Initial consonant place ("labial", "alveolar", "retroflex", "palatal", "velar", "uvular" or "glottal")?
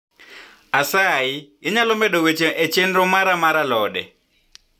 alveolar